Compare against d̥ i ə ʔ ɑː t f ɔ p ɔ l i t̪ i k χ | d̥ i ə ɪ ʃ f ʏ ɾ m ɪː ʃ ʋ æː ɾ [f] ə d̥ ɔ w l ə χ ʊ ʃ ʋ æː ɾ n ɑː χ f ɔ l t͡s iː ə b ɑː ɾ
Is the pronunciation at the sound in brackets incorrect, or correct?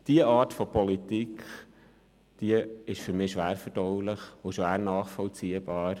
correct